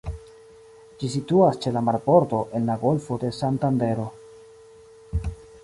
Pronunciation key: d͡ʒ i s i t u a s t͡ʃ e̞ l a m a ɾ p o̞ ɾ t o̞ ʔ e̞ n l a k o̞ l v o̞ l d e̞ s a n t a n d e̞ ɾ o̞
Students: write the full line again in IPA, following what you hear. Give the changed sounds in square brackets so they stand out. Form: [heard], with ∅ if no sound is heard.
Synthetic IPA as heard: d͡ʒ i s i t u a s t͡ʃ e̞ l a m a ɾ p o̞ ɾ t o̞ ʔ e̞ n l a [ɡ] o̞ l [f] o̞ [∅] d e̞ s a n t a n d e̞ ɾ o̞